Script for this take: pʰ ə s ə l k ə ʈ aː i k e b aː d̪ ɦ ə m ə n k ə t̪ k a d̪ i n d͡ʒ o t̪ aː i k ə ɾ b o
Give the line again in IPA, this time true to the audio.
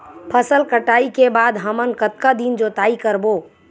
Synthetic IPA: pʰ ə s ə l k ə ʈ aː i k e b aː d̪ ɦ ə m ə n k ə t̪ k a d̪ i n d͡ʒ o t̪ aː i k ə ɾ b o